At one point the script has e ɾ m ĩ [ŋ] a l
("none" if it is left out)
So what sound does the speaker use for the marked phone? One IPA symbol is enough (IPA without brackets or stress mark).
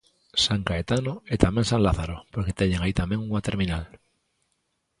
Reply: n